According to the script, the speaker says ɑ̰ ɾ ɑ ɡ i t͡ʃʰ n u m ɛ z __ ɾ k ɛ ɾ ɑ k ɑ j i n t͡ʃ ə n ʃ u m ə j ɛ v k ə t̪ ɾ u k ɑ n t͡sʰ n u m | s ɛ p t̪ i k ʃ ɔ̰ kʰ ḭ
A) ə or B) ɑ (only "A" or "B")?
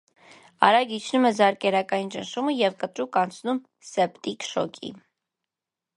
B